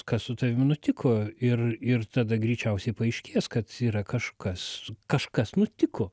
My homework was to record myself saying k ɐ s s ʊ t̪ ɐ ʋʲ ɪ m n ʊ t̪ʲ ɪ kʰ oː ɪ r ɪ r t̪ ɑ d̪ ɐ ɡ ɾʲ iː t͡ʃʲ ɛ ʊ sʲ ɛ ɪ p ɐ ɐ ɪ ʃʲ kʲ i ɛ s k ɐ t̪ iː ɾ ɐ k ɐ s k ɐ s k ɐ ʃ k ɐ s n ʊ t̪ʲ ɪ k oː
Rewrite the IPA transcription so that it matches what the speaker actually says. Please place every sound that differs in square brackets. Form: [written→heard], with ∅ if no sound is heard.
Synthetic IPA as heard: k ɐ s s ʊ t̪ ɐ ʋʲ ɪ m n ʊ t̪ʲ ɪ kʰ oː ɪ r ɪ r t̪ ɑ d̪ ɐ ɡ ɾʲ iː t͡ʃʲ ɛ ʊ sʲ ɛ ɪ p ɐ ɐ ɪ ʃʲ kʲ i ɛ s k ɐ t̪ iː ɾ ɐ k ɐ [s→ʃ] k ɐ s k ɐ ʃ k ɐ s n ʊ t̪ʲ ɪ k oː